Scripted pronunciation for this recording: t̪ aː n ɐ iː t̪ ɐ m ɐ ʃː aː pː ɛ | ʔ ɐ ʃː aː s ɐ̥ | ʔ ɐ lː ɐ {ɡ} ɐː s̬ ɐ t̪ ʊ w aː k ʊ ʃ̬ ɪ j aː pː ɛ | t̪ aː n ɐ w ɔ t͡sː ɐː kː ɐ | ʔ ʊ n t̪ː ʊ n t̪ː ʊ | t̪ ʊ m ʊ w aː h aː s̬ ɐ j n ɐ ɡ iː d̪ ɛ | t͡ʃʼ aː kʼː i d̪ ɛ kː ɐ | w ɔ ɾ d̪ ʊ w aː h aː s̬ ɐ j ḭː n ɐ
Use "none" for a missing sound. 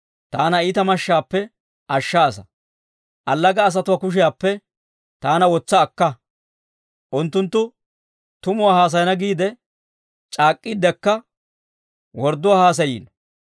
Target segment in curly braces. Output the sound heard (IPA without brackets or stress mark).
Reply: ɡ